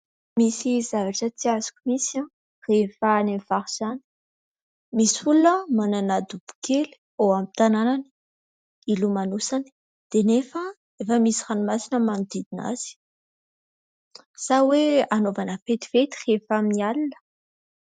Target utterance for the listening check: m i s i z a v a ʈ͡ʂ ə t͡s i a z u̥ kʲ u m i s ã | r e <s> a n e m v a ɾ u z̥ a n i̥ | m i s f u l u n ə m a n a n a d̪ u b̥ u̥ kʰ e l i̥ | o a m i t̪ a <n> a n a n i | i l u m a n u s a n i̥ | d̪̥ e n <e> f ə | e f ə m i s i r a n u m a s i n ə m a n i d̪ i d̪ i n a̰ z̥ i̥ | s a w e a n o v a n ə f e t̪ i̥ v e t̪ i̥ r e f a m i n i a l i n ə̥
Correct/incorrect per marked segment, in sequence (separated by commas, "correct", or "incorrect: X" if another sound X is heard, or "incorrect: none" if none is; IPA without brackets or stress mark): incorrect: f, correct, correct